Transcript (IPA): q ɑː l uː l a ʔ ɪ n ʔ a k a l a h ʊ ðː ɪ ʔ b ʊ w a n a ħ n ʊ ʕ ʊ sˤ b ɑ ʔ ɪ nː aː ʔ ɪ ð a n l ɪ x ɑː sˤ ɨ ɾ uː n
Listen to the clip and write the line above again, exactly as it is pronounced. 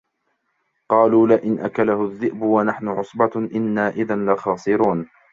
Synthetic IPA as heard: q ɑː l uː l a ʔ ɪ n ʔ a k a l a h ʊ ðː ɪ ʔ b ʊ w a n a ħ n ʊ ʕ ʊ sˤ b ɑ ʔ ɪ nː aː ʔ ɪ ð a n l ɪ x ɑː sˤ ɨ ɾ uː n